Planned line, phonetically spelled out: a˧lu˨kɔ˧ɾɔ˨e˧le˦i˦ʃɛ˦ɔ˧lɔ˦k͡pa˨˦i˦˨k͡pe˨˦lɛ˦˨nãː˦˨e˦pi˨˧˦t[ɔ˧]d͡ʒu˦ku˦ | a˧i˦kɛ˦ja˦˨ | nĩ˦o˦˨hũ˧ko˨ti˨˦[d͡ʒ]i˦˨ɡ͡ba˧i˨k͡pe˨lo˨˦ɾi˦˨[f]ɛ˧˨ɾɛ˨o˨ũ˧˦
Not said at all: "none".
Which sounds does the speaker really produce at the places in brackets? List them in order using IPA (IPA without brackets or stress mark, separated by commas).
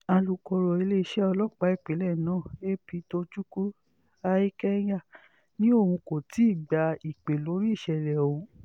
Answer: o˧, none, ʃ